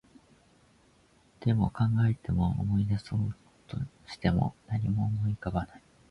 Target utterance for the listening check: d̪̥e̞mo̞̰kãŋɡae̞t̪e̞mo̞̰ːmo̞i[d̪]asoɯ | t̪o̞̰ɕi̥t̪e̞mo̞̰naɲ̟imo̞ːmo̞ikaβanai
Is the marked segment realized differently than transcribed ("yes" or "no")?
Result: no